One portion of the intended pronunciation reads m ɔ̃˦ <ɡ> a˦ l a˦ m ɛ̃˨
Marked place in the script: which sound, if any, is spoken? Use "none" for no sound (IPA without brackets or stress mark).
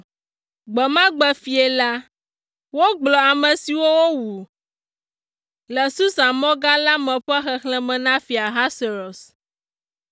ɡ